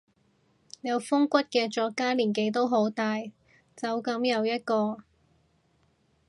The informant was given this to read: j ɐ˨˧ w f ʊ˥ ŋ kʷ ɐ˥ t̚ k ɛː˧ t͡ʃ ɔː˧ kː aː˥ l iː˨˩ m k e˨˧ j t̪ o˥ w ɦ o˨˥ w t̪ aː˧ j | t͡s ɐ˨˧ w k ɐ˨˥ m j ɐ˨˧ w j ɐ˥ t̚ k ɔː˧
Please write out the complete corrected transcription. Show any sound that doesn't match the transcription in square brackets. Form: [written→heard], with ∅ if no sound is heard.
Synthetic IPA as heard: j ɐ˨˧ w f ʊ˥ ŋ kʷ ɐ˥ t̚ k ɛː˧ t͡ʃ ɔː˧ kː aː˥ l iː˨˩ [m→n] k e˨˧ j t̪ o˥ w ɦ o˨˥ w t̪ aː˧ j | t͡s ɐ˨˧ w k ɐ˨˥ m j ɐ˨˧ w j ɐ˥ t̚ k ɔː˧